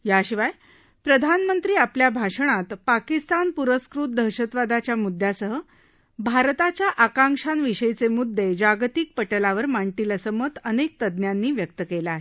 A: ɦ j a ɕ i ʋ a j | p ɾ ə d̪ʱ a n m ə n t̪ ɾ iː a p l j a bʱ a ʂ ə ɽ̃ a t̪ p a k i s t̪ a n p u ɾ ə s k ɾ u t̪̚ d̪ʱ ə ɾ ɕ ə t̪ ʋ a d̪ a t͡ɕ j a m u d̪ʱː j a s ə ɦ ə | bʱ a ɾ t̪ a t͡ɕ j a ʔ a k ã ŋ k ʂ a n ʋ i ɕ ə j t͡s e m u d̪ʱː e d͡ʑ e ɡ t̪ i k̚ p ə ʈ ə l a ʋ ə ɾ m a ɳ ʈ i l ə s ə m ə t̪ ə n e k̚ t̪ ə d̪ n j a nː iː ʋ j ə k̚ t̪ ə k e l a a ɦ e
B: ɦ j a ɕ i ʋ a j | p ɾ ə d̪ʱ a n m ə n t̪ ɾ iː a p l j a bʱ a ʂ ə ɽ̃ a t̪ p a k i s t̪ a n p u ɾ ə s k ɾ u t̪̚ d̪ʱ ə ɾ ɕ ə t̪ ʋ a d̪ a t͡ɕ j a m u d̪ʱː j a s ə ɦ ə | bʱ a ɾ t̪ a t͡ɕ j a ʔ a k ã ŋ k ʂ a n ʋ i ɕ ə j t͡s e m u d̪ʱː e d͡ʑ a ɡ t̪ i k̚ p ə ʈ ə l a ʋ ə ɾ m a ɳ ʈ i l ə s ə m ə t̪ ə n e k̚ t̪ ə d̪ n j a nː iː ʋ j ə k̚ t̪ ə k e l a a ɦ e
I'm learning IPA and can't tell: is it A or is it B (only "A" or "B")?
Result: B